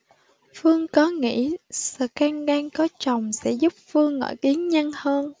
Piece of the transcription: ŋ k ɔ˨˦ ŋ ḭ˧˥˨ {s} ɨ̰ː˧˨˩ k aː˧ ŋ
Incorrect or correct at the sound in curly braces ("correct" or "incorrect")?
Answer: correct